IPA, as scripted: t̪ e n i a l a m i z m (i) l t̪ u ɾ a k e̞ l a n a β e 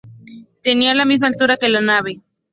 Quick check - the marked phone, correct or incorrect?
incorrect